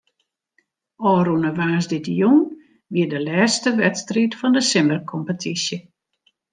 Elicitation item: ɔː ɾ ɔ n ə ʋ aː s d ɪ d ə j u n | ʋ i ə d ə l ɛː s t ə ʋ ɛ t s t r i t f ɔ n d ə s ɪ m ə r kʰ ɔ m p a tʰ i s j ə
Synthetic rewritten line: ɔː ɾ u n ə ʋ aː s d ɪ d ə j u n | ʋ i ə d ə l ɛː s t ə ʋ ɛ t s t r i t f ɔ n d ə s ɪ m ə r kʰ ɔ m p ə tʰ i s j ə